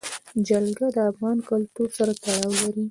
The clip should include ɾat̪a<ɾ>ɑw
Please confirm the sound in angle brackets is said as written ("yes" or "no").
no